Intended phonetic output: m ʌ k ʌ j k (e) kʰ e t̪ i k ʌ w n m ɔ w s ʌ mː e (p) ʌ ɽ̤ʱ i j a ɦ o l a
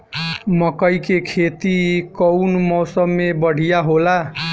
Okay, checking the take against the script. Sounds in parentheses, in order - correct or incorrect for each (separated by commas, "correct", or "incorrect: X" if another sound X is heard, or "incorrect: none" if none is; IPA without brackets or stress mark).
correct, incorrect: b